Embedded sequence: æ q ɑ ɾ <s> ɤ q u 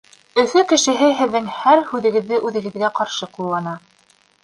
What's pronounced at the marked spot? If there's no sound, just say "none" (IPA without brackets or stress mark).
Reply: ʃ